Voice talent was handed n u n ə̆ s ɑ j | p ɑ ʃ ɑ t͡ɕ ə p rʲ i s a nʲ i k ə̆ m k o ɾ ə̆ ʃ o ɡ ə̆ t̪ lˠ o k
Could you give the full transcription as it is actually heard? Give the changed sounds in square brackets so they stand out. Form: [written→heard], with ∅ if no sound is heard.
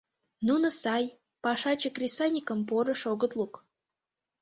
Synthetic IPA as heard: n u n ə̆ s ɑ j | p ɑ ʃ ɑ t͡ɕ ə [p→k] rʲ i s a nʲ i k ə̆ m [k→p] o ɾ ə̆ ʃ o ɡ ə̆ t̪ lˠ [o→u] k